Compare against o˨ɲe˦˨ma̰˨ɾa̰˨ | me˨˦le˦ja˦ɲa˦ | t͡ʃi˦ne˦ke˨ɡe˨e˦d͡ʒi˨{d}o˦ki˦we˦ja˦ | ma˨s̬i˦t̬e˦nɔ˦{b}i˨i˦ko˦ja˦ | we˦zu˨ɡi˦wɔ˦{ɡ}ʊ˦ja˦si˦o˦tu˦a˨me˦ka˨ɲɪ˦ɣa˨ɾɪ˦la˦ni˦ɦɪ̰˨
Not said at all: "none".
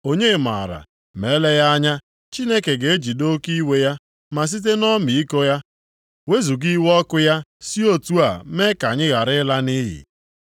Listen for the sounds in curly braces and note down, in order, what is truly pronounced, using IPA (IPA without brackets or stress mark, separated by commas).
d, m, k